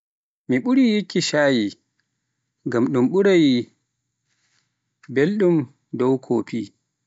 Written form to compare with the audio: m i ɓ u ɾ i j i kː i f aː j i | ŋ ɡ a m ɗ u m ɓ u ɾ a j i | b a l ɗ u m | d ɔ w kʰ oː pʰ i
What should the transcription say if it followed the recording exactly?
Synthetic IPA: m i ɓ u ɾ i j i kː i ʃ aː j i | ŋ ɡ a m ɗ u m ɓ u ɾ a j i | b e l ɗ u m | d ɔ w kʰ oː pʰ i